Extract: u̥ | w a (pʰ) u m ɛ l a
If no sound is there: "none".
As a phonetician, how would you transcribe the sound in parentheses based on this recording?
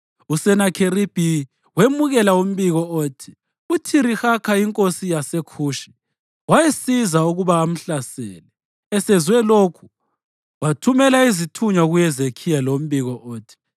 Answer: tʰ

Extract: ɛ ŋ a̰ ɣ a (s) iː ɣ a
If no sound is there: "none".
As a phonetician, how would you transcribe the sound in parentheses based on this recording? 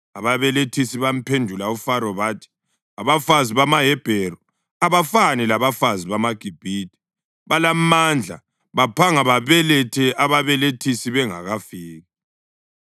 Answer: f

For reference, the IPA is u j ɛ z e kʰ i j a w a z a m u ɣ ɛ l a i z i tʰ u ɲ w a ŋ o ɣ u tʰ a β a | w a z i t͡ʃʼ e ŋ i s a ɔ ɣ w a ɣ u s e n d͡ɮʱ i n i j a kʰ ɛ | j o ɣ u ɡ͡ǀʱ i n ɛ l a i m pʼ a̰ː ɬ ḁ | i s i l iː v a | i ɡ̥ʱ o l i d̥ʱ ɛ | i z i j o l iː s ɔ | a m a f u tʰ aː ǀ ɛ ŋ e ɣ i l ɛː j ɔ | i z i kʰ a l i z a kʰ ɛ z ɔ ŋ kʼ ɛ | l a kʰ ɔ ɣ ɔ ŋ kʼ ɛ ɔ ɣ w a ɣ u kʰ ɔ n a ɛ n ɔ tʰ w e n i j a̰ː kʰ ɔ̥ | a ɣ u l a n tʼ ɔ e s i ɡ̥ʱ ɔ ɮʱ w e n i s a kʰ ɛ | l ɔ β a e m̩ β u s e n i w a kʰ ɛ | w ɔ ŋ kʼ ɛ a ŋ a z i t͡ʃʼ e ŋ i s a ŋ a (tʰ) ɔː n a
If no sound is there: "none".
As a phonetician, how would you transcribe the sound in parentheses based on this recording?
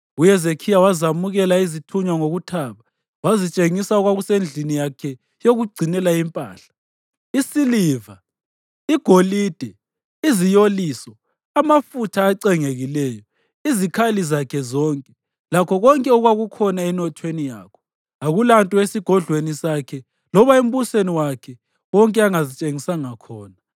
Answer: kʰ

